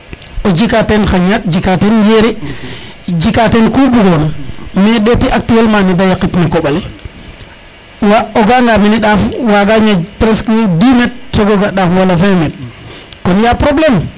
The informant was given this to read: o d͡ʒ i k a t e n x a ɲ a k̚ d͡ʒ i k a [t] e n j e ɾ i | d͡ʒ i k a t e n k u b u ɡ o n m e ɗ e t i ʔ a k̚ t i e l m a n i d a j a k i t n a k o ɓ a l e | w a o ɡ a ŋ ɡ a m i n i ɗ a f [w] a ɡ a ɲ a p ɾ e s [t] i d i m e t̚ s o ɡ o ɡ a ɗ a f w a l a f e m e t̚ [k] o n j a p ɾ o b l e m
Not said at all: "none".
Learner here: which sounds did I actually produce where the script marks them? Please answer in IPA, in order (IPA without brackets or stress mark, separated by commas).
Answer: t, w, k, k